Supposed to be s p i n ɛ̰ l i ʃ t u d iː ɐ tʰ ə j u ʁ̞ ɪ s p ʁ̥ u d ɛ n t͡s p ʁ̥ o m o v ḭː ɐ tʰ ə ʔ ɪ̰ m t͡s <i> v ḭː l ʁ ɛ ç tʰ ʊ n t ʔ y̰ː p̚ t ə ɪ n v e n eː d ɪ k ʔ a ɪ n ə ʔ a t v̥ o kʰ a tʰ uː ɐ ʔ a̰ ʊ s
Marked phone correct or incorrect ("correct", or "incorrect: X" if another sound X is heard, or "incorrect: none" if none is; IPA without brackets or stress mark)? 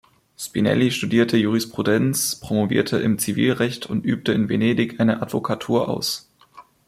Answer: correct